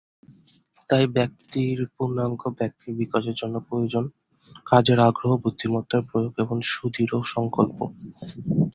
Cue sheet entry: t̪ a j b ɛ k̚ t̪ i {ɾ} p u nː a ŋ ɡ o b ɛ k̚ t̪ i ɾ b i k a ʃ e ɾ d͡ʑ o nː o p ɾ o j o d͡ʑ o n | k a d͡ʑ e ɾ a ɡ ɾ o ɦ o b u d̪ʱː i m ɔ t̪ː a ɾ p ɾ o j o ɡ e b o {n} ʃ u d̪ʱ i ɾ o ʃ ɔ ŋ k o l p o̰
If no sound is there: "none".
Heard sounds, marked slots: ɾ, ŋ

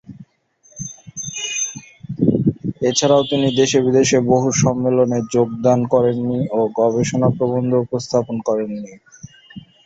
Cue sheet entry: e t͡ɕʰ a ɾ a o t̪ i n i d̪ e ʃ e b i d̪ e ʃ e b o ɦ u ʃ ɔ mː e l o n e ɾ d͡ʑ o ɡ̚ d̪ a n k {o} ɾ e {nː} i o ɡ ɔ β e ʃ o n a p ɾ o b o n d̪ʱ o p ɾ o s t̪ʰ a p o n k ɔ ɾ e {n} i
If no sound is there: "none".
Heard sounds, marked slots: ɔ, nː, nː

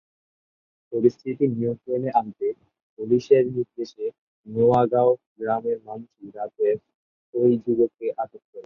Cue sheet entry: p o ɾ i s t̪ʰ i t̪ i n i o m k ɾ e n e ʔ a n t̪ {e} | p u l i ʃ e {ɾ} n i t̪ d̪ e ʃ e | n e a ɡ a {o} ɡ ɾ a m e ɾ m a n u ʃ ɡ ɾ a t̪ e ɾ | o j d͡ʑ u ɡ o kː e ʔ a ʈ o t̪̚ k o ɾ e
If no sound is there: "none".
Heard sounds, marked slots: e, ɾ, o

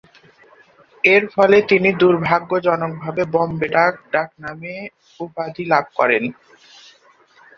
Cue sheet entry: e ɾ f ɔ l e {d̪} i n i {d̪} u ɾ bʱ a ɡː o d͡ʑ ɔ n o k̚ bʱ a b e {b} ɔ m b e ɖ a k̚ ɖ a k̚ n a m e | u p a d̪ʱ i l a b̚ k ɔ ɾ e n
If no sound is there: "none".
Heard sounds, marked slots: t̪, d̪, b

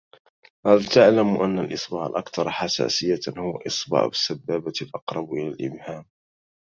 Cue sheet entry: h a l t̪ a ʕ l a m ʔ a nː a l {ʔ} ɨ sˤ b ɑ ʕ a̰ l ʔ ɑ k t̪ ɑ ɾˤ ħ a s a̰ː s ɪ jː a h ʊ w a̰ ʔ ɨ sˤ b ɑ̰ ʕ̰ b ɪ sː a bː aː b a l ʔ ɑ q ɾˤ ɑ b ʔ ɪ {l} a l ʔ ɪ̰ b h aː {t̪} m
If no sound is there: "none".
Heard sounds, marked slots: ʔ, l, none

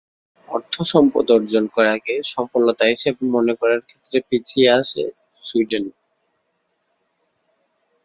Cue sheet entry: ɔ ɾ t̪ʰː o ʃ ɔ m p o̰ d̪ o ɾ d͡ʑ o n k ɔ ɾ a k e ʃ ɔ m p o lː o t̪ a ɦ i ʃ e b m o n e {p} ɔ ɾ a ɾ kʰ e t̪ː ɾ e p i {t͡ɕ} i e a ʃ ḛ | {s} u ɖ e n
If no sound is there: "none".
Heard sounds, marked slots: k, t͡ɕʰ, s

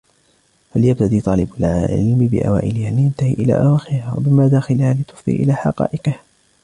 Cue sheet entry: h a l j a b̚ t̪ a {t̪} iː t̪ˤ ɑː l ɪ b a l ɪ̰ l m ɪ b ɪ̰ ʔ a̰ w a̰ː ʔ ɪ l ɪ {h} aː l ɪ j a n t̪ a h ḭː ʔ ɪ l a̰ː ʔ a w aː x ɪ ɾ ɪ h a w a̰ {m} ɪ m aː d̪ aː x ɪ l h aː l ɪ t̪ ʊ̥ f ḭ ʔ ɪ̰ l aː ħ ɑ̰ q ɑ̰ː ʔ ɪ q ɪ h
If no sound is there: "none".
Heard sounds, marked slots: d̪, h, b

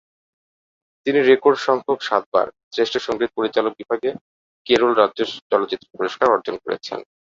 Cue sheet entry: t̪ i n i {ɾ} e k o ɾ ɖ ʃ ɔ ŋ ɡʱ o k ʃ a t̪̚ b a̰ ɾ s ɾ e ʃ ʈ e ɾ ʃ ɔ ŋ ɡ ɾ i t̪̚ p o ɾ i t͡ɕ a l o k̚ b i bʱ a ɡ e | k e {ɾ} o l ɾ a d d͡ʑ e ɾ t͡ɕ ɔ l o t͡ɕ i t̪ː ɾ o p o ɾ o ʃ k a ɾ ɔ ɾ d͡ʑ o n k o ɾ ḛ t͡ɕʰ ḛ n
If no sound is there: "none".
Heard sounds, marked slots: ɾ, ɾ

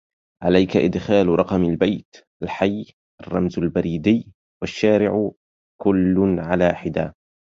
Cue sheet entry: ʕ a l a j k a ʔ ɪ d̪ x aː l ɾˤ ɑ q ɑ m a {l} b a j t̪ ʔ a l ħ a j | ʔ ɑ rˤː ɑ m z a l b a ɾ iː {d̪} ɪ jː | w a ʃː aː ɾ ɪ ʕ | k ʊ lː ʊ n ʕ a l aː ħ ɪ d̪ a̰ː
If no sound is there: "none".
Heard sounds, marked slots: l, d̪

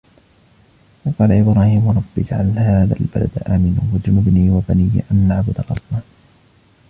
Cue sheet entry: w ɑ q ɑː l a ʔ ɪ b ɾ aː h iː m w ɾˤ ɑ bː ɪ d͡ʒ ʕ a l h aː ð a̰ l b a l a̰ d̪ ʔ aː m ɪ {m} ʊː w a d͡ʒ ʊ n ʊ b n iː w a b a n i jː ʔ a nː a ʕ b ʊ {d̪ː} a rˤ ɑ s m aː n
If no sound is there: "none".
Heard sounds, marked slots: n, d̪

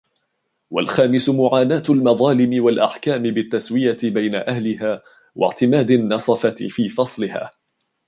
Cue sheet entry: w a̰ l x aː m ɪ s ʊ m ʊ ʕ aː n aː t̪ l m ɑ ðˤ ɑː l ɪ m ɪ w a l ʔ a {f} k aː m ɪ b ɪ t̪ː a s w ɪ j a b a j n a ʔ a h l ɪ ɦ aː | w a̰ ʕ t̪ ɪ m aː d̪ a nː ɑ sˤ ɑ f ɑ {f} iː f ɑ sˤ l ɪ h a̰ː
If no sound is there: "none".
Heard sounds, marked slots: ħ, f

